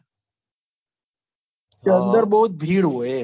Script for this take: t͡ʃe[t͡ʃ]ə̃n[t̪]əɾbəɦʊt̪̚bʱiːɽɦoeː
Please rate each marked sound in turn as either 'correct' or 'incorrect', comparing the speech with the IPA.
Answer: incorrect, incorrect

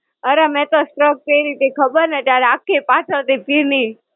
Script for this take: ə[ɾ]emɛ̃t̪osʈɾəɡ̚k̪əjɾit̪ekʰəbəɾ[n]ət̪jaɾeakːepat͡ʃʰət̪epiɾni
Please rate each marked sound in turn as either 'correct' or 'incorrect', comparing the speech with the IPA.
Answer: correct, correct

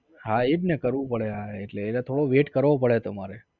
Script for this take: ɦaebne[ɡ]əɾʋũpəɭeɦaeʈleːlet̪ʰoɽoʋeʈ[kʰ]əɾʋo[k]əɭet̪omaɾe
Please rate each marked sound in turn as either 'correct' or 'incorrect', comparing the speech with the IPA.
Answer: incorrect, incorrect, incorrect

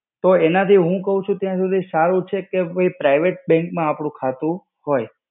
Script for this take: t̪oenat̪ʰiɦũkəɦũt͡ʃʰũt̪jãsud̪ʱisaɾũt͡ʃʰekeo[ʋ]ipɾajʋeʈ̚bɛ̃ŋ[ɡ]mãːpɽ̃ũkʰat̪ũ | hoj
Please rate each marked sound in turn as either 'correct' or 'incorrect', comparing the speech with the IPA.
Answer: incorrect, incorrect

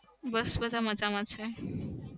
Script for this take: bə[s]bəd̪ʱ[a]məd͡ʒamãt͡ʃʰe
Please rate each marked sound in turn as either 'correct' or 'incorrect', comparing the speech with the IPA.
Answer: correct, correct

